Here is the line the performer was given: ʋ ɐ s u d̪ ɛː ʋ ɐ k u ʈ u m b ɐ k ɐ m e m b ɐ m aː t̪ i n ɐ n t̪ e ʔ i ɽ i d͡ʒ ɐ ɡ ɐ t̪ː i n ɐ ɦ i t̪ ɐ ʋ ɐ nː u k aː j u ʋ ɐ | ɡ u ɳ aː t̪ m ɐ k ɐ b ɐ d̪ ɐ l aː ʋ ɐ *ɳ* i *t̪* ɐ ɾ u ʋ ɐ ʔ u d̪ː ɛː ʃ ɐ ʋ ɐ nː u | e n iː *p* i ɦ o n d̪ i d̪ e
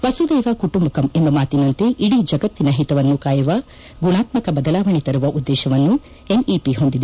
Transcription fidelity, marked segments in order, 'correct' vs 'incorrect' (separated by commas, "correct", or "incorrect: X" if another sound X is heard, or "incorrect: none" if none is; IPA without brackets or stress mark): correct, correct, correct